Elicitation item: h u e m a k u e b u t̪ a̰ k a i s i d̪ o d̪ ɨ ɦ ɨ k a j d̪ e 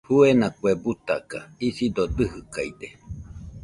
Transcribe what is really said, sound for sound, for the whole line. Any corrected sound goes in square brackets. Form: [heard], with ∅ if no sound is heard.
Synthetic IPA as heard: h u e [n] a k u e b u t̪ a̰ k a i s i d̪ o d̪ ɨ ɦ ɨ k a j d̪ e